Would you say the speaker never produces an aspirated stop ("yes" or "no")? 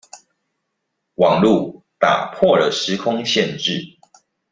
no